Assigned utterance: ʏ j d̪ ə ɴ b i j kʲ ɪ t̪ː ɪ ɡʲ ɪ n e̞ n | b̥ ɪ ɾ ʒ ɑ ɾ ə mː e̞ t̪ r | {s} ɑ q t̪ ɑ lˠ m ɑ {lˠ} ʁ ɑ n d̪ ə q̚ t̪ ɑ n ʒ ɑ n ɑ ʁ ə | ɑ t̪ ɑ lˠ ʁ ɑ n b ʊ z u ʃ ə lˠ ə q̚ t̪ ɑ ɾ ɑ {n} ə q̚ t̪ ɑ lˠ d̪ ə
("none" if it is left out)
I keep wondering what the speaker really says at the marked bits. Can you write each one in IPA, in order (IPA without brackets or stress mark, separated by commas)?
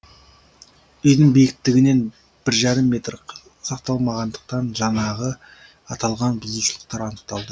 s, none, n